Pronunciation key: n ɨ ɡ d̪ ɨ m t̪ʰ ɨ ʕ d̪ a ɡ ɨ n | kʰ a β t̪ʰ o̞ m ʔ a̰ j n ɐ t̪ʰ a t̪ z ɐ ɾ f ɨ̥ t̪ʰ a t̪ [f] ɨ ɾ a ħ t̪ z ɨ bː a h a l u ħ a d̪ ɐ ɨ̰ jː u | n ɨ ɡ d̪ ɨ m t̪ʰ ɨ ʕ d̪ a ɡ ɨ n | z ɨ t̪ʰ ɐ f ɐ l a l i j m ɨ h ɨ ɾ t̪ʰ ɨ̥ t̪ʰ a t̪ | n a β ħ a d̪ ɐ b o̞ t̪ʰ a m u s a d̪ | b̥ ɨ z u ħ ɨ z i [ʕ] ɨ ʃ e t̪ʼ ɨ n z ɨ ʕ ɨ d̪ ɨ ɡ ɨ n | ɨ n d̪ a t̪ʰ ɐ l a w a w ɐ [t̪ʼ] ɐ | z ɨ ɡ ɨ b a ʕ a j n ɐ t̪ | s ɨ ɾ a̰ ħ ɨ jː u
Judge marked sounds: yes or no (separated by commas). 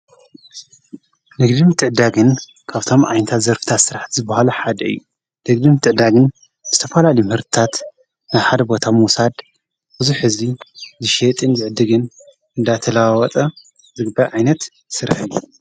no, no, yes